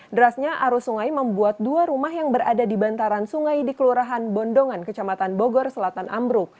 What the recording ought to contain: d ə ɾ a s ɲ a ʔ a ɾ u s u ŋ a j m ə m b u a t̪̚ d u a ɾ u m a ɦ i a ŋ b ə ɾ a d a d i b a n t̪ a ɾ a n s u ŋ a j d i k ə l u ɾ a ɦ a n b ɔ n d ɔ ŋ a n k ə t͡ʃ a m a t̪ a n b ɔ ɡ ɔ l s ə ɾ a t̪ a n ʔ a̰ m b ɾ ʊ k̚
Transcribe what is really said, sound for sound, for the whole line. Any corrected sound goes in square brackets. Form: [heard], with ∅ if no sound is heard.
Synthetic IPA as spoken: d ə ɾ a s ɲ a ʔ a ɾ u s u ŋ a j m ə m b u a t̪̚ d u a ɾ u m a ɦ [j] a ŋ b ə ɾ a d a d i b a n t̪ a ɾ a n s u ŋ a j d i k ə l u ɾ a ɦ a n b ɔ n d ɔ ŋ a n k ə t͡ʃ a m a t̪ a n b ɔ ɡ ɔ [r] s ə [l] a t̪ a n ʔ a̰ m b ɾ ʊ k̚